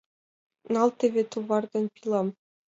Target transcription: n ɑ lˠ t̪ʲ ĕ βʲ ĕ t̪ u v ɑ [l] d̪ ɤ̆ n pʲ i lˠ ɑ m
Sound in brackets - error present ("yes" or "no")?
yes